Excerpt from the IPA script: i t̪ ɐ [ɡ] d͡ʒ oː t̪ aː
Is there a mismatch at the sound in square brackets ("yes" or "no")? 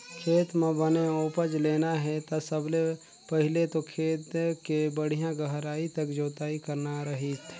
yes